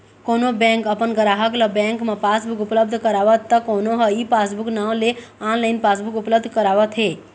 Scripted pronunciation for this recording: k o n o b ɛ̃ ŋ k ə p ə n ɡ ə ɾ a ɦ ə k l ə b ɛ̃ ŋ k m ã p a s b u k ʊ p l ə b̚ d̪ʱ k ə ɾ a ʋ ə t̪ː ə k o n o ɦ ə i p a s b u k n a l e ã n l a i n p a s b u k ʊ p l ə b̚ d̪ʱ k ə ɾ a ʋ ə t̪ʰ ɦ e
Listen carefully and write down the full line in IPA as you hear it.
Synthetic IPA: k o n o b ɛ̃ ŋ k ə p ə n ɡ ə ɾ a ɦ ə k l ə b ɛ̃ ŋ k m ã p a s b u k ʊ p l ə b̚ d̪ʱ k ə ɾ a ʋ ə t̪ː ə k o n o ɦ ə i p a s b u k n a l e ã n l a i n p a s b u k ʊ p l ə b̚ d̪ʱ k ə ɾ a ʋ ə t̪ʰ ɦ e